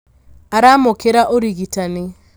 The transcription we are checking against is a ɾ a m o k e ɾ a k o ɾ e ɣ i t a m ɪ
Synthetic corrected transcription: a ɾ a m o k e ɾ a ʔ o ɾ i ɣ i t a n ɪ